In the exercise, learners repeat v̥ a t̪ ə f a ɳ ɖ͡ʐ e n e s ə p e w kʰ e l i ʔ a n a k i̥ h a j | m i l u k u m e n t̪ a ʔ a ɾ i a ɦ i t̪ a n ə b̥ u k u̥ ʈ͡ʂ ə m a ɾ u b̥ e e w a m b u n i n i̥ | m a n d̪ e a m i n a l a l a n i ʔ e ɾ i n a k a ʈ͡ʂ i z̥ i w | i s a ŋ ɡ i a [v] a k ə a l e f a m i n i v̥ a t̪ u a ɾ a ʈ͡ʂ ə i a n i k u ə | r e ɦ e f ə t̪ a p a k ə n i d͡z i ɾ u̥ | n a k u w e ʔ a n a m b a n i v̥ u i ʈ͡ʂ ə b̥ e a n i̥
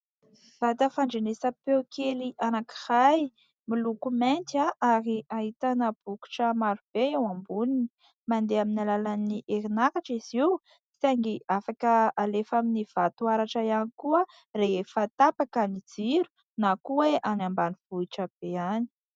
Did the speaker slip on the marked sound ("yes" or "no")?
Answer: yes